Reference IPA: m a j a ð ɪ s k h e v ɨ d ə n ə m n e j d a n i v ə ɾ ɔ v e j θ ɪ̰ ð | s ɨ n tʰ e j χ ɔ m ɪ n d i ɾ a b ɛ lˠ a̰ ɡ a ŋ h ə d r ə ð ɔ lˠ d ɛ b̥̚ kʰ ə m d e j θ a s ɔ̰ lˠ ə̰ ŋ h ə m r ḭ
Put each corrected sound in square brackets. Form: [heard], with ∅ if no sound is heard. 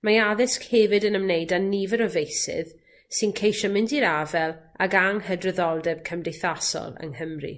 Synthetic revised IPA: m a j a ð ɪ s k h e v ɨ d ə n ə m n e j d a n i v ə ɾ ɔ v e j [s] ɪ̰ ð | s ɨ n [kʰ] e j [ʃ] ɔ m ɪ n d i ɾ a [v] ɛ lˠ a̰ ɡ a ŋ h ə d r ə ð ɔ lˠ d ɛ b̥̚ kʰ ə m d e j θ a s ɔ̰ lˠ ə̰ ŋ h ə m r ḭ